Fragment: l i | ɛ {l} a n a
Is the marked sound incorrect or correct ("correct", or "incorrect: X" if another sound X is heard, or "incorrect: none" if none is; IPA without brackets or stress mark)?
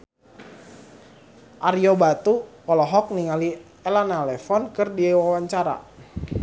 correct